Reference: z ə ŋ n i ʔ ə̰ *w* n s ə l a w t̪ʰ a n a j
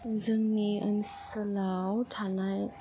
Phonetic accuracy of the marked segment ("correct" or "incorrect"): incorrect